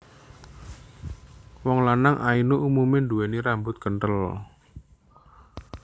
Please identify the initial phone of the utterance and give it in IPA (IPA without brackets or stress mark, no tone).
w